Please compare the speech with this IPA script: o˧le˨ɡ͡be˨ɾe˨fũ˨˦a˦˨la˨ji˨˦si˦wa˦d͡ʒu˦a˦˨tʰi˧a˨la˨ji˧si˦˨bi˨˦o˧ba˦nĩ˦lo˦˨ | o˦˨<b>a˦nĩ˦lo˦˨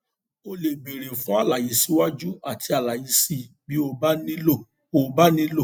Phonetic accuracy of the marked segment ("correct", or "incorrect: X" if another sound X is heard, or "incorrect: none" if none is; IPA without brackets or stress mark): correct